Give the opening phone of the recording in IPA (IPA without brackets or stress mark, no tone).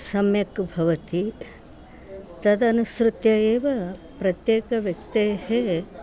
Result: s